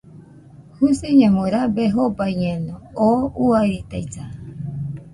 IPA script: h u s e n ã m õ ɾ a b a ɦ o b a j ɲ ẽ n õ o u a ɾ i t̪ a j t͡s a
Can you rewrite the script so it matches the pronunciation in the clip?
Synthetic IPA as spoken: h u s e ɲ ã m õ ɾ a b e ɦ o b a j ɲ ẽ n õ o u a ɾ i t̪ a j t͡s a